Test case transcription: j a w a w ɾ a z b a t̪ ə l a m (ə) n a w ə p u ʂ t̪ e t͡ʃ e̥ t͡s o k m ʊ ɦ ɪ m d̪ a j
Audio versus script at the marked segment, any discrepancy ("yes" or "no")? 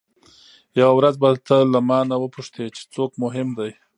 yes